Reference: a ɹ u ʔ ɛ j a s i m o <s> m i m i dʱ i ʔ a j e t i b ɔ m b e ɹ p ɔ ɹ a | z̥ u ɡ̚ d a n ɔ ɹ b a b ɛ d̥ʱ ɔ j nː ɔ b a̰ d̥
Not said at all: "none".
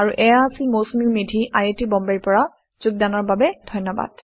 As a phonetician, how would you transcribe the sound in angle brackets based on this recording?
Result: s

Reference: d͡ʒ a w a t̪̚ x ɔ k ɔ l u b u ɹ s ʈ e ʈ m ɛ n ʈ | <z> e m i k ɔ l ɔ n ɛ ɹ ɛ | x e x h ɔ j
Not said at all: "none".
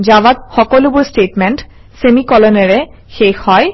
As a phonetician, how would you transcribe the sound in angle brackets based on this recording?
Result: s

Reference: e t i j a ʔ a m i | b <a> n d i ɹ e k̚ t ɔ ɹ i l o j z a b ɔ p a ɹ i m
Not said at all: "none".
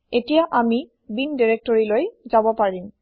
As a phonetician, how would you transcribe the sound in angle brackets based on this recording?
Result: i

